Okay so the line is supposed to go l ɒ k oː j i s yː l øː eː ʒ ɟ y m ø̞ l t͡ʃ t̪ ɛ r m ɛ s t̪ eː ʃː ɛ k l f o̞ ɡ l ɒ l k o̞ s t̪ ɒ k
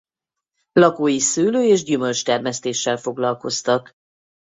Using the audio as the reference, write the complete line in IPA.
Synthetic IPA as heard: l ɒ k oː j i s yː l øː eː ʒ ɟ y m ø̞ l t͡ʃ t̪ ɛ r m ɛ s t̪ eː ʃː ɛ l f o̞ ɡ l ɒ l k o̞ s t̪ ɒ k